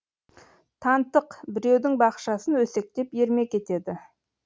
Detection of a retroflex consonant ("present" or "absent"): absent